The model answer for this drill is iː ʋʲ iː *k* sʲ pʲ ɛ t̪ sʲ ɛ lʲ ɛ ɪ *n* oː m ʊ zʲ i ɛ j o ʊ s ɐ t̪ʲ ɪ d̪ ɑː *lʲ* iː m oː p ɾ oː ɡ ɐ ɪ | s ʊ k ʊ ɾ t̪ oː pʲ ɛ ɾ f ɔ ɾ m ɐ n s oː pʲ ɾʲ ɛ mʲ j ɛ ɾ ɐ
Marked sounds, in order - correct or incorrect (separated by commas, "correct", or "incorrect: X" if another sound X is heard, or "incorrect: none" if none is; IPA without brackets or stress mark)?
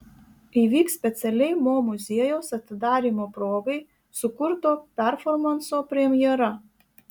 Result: correct, incorrect: m, incorrect: ɾʲ